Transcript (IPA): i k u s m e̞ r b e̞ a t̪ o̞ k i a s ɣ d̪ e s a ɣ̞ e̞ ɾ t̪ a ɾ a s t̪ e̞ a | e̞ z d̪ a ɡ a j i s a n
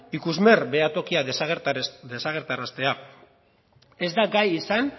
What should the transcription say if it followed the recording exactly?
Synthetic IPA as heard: i k u z m e̞ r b e̞ a t̪ o̞ k i a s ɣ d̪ e s a ɣ̞ e̞ ɾ t̪ a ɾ a s t̪ e̞ a | e̞ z d̪ a ɡ a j i s a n